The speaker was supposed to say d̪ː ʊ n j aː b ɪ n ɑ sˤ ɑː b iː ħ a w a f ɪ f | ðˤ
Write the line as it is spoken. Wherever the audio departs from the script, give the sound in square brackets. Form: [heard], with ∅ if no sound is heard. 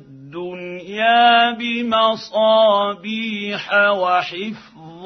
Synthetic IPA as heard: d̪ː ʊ n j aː b ɪ [m] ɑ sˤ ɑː b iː ħ a w a [ħ] ɪ f | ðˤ